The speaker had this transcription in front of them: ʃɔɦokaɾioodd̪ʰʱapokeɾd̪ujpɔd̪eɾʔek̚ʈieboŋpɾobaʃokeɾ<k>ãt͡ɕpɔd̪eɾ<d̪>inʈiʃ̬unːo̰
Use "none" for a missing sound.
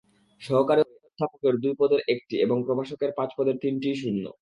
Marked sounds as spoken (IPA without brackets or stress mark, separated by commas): p, t̪